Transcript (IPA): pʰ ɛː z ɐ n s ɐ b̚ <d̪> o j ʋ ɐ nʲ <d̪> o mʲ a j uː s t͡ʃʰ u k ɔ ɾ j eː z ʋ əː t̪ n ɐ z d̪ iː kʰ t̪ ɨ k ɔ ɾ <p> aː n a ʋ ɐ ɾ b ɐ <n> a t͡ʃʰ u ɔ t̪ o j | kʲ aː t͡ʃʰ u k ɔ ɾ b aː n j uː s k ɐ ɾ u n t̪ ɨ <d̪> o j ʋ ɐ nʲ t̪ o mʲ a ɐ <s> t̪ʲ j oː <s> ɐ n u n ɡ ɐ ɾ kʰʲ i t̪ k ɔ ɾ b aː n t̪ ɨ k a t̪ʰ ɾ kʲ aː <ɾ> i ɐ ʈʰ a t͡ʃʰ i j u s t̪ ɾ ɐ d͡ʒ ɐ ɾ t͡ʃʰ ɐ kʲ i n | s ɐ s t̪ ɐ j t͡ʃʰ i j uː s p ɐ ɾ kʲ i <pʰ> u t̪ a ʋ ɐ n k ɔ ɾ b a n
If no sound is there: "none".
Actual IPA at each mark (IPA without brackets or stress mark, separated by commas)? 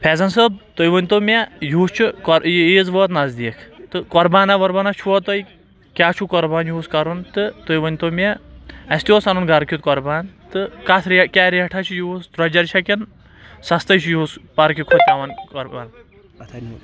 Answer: t̪, t̪, b, n, t̪, s, s, ɾ, kʰ